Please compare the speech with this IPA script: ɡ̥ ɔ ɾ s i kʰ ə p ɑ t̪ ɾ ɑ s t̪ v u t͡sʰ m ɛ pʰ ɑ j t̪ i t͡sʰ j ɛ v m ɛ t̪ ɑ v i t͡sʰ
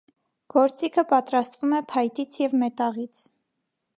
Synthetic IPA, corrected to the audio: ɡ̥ ɔ ɾ t͡s i kʰ ə p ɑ t̪ ɾ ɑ s t̪ v u m ɛ pʰ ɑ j t̪ i t͡sʰ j ɛ v m ɛ t̪ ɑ ʁ i t͡sʰ